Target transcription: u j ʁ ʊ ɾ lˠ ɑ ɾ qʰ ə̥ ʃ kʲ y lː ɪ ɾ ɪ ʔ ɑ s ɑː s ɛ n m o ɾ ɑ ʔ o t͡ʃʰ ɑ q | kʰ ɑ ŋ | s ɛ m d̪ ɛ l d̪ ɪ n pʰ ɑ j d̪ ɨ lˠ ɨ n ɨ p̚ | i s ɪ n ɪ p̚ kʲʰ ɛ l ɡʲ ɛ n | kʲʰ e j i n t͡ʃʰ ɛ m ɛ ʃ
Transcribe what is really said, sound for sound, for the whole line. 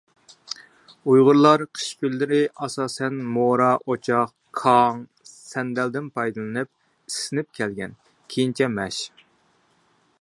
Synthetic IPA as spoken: u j ʁ ʊ ɾ lˠ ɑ ɾ qʰ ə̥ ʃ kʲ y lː ɪ ɾ ɪ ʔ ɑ s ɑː s ɛ n m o ɾ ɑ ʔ o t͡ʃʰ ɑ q | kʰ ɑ ŋ | s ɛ n d̪ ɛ l d̪ ɪ n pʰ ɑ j d̪ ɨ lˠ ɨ n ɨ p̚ | i s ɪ n ɪ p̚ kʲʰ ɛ l ɡʲ ɛ n | kʲʰ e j i n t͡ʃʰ ɛ m ɛ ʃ

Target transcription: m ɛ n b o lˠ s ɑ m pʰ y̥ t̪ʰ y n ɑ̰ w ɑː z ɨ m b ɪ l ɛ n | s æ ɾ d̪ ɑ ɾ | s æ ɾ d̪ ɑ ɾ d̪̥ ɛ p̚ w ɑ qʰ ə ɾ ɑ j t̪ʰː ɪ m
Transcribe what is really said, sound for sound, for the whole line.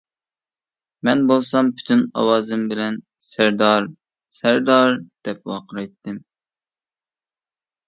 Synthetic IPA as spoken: m ɛ n b o lˠ s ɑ m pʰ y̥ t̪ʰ y n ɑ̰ w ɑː z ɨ m b ɪ l ɛ n | s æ ɾ d̪ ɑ ɾ | s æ ɾ d̪ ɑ ɾ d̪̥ ɛ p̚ w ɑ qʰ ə ɾ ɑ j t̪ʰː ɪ m

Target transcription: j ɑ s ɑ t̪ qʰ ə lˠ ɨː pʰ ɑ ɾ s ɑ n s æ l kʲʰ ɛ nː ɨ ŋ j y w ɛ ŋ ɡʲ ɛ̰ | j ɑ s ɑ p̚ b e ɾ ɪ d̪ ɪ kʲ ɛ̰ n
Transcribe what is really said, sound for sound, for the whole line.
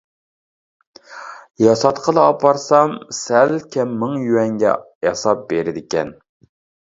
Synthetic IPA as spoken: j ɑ s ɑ t̪ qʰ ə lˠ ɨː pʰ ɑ ɾ s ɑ m s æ l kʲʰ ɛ mː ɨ ŋ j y w ɛ ŋ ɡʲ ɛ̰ | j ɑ s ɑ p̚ b e ɾ ɪ d̪ ɪ kʲ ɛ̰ n

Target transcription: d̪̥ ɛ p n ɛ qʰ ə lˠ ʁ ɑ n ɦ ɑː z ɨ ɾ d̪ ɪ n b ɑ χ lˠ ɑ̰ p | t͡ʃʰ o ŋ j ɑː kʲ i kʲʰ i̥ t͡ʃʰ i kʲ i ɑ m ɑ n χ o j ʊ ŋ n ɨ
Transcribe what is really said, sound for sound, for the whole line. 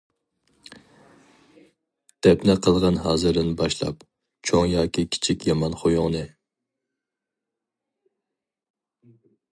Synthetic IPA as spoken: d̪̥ ɛ p n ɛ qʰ ə lˠ ʁ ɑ n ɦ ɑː z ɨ ɾ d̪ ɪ n b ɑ ʃ lˠ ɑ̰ p | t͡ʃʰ o ŋ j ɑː kʲ i kʲʰ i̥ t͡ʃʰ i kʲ j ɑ m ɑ n χ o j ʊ ŋ n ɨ

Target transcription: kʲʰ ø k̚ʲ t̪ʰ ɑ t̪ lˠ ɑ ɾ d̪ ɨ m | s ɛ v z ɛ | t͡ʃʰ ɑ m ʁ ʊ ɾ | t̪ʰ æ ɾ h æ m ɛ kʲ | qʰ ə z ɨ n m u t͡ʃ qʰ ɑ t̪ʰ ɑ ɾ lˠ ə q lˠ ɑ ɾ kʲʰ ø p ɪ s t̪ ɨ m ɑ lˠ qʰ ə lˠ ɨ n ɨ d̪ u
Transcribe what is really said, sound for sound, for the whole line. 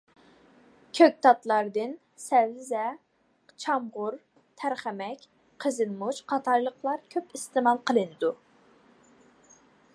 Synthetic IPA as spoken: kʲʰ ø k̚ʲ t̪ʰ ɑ t̪ lˠ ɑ ɾ d̪ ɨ n | s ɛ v z ɛ | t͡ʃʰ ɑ m ʁ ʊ ɾ | t̪ʰ æ ɾ χ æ m ɛ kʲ | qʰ ə z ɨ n m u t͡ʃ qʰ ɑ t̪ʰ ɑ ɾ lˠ ə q lˠ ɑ ɾ kʲʰ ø p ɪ s t̪ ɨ m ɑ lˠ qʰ ə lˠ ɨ n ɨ d̪ u

